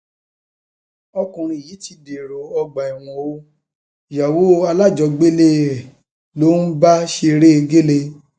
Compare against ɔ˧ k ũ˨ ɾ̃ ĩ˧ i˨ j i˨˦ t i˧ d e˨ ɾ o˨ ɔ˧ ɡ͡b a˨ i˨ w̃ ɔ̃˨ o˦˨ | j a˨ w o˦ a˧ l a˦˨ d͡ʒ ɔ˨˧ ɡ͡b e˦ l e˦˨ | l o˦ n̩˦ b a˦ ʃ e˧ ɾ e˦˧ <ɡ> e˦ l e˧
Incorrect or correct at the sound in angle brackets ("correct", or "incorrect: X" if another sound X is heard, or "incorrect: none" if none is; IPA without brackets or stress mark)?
correct